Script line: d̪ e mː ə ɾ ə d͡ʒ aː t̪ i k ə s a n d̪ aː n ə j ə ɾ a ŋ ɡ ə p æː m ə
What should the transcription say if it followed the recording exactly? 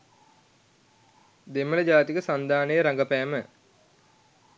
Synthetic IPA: d̪ e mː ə l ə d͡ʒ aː t̪ i k ə s a n d̪ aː n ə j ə ɾ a ŋ ɡ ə p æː m ə